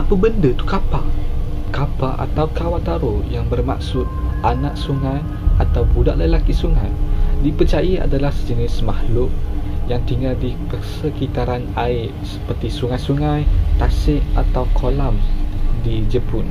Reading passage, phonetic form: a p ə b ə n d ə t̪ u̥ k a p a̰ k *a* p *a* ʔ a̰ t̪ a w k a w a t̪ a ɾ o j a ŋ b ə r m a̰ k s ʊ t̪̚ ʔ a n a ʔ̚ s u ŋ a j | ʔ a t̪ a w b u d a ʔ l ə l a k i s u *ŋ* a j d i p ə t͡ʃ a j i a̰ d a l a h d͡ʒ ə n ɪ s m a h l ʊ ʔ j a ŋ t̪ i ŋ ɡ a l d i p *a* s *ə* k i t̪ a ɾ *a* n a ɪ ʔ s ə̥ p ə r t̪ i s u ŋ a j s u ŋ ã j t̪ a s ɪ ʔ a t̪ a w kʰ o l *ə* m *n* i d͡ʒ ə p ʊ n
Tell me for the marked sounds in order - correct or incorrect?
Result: correct, correct, correct, incorrect: ə, correct, correct, incorrect: a, incorrect: d

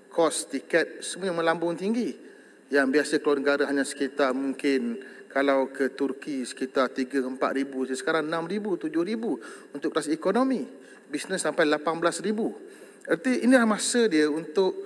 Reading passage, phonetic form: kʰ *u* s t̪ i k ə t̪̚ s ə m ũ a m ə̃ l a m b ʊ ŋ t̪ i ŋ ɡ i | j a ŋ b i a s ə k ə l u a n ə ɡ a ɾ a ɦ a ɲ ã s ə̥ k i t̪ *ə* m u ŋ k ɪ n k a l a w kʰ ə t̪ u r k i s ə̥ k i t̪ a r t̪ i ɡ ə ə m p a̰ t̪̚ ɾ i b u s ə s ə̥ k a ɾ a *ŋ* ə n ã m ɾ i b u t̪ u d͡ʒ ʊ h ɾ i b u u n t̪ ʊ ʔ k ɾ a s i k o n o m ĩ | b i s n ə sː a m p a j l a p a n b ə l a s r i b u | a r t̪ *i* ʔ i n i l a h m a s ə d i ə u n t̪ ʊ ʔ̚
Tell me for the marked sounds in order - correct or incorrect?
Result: incorrect: ɔ, incorrect: a, correct, correct

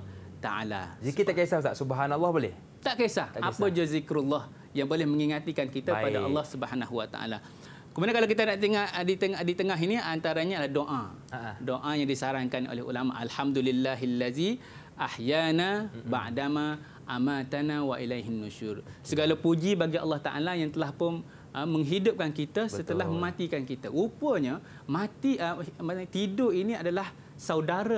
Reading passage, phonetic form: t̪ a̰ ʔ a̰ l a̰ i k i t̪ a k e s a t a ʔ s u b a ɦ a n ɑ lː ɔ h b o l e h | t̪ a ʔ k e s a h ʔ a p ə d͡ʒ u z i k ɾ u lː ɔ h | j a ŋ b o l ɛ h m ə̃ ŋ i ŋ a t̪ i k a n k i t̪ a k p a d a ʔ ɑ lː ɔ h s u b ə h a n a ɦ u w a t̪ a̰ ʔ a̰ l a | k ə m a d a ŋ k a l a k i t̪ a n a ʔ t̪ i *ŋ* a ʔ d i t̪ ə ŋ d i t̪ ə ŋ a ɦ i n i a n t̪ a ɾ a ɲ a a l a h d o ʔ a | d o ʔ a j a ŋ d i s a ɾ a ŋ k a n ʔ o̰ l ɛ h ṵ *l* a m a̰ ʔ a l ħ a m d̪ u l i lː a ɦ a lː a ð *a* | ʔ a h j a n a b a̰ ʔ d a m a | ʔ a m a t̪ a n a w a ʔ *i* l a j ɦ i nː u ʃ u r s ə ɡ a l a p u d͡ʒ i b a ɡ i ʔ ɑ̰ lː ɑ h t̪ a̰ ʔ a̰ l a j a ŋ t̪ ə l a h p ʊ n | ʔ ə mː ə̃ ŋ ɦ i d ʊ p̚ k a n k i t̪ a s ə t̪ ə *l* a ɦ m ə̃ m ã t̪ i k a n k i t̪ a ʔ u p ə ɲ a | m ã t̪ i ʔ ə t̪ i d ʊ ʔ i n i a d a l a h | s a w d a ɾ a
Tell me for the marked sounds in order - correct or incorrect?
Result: correct, correct, incorrect: i, correct, correct

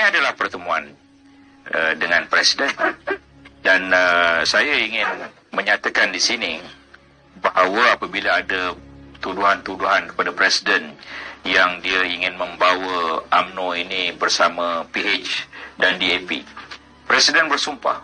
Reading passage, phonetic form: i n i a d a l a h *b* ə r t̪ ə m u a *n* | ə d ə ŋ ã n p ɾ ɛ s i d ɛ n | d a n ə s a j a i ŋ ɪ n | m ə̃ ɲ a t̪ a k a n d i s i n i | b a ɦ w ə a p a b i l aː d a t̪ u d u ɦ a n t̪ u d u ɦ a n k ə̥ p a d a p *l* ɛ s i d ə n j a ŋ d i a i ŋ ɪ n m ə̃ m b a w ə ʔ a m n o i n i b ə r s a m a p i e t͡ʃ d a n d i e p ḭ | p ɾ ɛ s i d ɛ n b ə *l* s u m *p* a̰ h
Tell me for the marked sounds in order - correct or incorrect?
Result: incorrect: p, correct, incorrect: ɾ, incorrect: r, correct

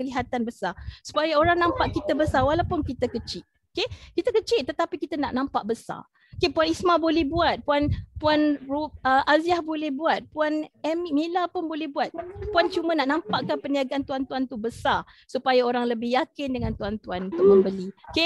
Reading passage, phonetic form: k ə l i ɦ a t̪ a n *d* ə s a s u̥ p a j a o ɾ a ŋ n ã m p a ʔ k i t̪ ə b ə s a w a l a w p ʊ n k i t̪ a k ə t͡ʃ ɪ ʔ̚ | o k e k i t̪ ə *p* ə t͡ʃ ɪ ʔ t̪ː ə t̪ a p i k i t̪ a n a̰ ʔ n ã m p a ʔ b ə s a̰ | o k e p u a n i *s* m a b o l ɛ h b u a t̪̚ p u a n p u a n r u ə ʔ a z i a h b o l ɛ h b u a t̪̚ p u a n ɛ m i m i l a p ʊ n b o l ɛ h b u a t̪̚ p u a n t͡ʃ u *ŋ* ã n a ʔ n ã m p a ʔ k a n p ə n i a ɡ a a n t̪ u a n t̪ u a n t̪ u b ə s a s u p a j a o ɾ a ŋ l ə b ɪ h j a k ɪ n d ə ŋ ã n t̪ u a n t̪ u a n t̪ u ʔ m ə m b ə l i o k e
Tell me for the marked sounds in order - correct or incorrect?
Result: incorrect: b, incorrect: k, correct, incorrect: m

